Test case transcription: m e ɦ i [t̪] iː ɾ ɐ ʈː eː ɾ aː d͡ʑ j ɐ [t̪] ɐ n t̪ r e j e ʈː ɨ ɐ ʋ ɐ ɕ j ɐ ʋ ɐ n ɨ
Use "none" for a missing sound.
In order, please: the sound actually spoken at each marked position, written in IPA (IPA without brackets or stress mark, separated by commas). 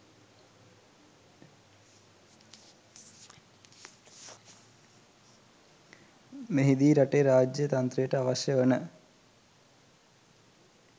d̪, t̪